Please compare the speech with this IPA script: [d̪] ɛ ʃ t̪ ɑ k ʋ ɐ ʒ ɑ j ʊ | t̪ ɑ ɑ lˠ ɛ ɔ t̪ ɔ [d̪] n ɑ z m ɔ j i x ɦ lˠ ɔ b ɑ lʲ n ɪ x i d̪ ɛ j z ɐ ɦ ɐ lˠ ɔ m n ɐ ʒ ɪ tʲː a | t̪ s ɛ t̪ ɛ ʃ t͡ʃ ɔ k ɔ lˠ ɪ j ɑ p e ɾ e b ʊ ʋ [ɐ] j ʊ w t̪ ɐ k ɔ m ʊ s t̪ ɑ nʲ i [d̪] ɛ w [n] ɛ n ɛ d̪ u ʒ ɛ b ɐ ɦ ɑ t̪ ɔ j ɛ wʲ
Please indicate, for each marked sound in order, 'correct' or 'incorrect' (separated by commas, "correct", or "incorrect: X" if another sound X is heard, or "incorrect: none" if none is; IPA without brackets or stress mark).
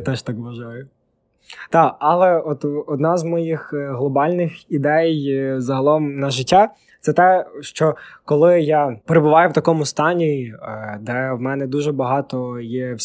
incorrect: t̪, correct, incorrect: ɑ, correct, incorrect: m